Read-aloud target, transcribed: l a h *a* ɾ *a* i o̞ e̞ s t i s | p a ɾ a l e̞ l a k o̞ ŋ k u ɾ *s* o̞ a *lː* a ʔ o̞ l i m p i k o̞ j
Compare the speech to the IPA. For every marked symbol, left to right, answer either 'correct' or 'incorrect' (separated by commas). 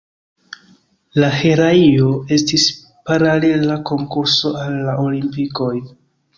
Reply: incorrect, correct, correct, correct